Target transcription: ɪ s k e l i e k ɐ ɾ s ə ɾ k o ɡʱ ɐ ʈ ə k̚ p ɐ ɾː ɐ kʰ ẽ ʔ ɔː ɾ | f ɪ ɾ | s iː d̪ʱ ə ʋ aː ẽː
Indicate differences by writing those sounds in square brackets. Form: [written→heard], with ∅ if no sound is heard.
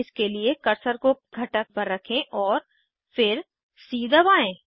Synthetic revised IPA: ɪ s k e l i e k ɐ ɾ s ə ɾ k o ɡʱ ɐ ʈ ə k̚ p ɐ ɾː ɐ kʰ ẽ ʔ ɔː ɾ | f ɪ ɾ | s iː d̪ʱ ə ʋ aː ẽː